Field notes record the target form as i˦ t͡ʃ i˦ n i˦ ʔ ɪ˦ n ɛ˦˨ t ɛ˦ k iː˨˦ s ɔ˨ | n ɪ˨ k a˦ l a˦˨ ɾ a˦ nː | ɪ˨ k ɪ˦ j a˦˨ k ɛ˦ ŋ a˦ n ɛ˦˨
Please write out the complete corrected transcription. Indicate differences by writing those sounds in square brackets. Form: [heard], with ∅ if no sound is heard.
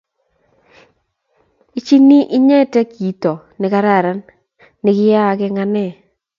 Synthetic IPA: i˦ t͡ʃ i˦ n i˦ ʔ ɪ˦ [ɲ] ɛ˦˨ t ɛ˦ k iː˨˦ [t] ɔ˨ | n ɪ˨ k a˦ [ɾ] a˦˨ ɾ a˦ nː | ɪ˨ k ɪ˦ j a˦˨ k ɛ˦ ŋ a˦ n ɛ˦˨